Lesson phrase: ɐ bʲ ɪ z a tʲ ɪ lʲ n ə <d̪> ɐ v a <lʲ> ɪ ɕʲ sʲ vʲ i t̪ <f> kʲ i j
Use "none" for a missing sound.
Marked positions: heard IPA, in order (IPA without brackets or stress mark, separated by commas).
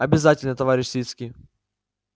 t̪, ɾʲ, s